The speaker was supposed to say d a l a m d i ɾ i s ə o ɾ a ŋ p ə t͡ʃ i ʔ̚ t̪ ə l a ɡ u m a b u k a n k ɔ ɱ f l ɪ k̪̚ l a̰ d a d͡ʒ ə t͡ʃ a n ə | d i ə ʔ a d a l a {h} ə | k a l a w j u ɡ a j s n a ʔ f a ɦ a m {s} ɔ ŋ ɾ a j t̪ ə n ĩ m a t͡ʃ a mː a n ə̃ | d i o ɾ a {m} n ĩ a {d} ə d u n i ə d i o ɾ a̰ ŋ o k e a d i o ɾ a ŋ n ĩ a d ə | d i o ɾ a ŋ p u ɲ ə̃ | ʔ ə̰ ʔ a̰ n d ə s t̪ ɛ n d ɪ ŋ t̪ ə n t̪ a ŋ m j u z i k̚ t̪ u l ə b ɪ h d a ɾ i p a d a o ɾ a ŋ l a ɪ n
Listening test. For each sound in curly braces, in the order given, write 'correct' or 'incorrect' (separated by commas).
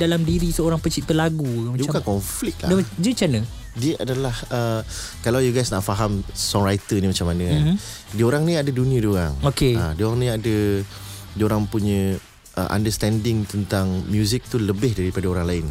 correct, correct, incorrect, correct